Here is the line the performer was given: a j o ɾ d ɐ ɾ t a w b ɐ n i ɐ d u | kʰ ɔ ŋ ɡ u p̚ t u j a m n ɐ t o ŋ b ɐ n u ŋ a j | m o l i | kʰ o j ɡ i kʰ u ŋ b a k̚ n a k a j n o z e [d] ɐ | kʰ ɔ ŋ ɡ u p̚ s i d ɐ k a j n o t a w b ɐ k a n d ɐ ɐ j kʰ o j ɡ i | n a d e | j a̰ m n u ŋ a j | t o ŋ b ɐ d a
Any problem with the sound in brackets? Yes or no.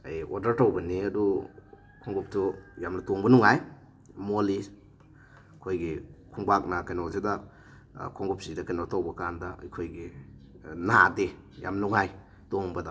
no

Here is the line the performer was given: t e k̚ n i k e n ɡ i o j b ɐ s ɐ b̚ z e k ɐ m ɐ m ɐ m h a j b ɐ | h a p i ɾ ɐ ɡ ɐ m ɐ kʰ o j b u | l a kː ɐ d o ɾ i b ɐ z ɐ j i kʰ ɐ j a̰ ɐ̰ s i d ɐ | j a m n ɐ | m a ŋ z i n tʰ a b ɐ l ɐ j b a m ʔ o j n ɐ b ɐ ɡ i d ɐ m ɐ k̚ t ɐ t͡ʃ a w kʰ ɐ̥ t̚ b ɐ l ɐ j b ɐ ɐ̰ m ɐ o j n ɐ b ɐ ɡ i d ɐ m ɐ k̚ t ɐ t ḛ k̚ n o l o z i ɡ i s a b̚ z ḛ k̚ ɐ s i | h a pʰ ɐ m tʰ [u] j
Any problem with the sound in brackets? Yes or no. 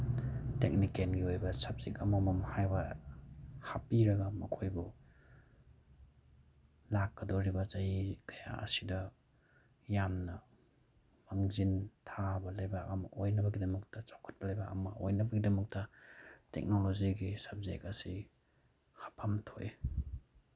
yes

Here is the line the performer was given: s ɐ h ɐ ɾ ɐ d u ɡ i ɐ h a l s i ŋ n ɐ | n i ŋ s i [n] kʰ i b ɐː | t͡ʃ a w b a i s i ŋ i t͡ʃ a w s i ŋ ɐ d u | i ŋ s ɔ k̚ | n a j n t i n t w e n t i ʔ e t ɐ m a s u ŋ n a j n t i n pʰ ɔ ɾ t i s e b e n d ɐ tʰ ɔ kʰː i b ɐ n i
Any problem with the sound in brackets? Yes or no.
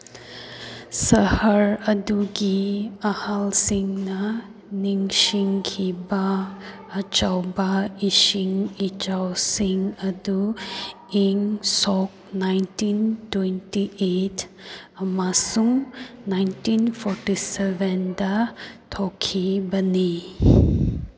yes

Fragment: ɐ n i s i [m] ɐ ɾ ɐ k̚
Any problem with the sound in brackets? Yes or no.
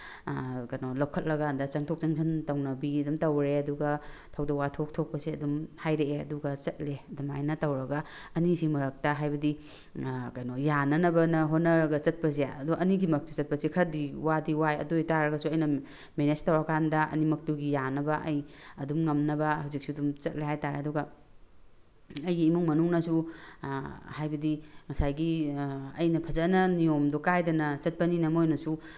no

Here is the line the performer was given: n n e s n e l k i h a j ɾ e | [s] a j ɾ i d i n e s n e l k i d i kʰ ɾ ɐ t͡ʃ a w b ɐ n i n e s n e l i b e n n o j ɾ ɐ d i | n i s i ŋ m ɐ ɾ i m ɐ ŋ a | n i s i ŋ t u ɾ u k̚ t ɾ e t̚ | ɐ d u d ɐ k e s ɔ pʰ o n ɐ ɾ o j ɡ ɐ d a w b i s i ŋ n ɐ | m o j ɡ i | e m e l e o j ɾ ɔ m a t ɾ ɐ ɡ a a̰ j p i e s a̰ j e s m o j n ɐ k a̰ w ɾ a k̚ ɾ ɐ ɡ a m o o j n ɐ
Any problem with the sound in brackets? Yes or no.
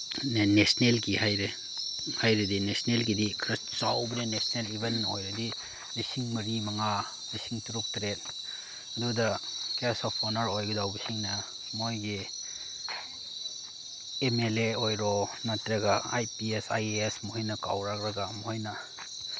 yes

